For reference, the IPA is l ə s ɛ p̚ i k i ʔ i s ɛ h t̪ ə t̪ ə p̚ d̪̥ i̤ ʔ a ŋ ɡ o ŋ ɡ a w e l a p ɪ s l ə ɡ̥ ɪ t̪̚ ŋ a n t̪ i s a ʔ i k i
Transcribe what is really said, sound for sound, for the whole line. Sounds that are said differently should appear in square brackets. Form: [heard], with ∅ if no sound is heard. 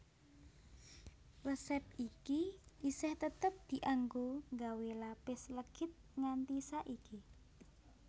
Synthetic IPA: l ə s ɛ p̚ i k i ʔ i s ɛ h t̪ ə t̪ ə p̚ d̪̥ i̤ ʔ a ŋ ɡ o ŋ ɡ a w e l a p ɪ s l ə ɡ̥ ɪ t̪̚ ŋ a n t̪ i s a ʔ i k i